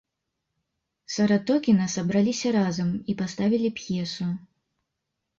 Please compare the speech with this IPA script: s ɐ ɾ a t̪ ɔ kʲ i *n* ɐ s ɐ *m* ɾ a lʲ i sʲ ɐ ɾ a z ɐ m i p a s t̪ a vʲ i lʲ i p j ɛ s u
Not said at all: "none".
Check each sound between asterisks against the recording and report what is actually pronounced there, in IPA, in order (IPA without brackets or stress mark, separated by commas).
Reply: n, b